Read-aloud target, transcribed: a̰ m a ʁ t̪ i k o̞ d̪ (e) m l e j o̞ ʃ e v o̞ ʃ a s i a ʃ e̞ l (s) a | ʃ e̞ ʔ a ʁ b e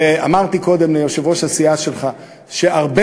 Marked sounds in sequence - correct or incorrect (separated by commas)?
correct, incorrect